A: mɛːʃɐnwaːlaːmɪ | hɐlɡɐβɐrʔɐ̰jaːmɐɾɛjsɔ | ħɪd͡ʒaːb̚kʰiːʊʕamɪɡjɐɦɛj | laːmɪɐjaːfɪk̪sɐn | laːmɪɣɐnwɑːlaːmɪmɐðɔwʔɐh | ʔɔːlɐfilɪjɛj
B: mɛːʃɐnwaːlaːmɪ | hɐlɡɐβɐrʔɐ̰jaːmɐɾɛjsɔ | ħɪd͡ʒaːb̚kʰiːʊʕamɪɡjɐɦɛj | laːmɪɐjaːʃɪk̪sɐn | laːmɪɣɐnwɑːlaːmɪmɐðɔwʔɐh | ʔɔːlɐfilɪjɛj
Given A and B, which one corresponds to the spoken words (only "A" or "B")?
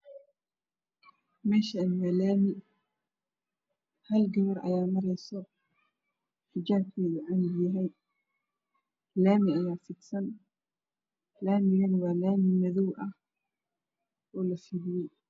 A